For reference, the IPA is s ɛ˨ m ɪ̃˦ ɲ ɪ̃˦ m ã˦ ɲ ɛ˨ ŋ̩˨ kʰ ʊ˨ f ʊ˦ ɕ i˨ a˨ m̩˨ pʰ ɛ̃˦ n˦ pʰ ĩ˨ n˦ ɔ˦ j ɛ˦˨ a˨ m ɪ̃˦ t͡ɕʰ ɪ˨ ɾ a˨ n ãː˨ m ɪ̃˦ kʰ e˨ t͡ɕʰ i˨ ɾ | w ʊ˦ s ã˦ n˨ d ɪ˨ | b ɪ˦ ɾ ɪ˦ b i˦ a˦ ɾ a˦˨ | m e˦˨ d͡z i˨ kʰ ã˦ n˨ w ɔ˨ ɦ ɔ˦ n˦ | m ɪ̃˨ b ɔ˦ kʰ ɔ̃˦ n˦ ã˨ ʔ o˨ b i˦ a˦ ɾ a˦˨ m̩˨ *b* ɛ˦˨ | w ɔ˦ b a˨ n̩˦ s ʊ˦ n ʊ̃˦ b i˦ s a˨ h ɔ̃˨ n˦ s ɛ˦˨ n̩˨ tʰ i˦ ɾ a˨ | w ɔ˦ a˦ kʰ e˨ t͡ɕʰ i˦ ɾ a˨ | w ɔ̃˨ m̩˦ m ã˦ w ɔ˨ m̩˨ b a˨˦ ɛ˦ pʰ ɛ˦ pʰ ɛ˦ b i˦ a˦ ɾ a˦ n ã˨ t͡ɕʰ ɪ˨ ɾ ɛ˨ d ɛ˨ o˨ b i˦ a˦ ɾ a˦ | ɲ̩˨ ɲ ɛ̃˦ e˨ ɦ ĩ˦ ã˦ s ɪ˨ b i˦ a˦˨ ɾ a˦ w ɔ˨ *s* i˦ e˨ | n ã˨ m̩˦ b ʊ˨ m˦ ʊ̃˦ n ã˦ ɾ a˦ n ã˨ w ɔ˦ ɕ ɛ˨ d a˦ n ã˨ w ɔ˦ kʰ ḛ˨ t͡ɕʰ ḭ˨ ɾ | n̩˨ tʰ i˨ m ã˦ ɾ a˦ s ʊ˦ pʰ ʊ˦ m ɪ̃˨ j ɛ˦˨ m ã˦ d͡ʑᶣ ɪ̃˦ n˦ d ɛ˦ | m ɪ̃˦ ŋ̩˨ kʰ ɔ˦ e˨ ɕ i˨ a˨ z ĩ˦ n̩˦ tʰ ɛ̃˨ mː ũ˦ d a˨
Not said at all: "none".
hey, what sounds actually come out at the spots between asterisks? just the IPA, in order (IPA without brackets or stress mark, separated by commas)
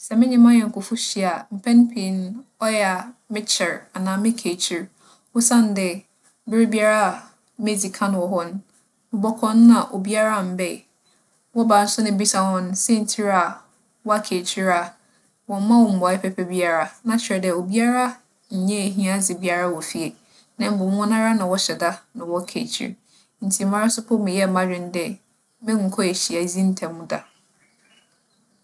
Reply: b, f